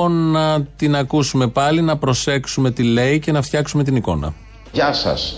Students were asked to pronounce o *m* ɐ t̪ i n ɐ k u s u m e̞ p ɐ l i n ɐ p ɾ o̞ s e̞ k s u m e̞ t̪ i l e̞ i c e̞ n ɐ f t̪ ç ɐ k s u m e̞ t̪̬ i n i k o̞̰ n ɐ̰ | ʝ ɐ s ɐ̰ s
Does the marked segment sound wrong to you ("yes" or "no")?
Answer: yes